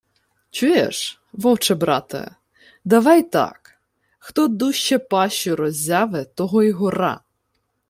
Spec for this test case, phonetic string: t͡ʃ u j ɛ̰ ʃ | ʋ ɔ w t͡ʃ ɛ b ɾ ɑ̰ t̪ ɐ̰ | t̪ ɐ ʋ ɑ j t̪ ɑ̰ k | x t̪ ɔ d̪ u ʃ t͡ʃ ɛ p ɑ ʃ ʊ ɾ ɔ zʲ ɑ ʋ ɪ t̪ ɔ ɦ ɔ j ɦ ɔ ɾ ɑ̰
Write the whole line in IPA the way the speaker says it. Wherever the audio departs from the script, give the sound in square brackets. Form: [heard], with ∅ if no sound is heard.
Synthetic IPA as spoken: t͡ʃ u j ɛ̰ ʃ | ʋ ɔ w t͡ʃ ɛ b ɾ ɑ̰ t̪ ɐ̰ | [d̪] ɐ ʋ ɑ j t̪ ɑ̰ k | x t̪ ɔ d̪ u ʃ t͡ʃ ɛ p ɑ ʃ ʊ ɾ ɔ zʲ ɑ ʋ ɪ t̪ ɔ ɦ ɔ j ɦ ɔ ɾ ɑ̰